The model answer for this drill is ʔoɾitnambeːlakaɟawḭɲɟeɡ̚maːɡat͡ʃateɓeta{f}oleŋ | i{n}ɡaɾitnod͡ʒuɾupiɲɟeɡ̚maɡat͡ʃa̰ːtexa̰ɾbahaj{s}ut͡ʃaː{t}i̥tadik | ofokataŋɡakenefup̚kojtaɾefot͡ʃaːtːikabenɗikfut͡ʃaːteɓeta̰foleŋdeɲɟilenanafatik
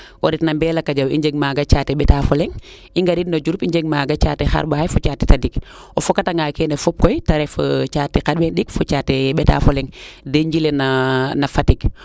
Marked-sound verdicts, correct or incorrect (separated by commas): correct, incorrect, incorrect, correct